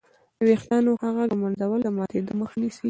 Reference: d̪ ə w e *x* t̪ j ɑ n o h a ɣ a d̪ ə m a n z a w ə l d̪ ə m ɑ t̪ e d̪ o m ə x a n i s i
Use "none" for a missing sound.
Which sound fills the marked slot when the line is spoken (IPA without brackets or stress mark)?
x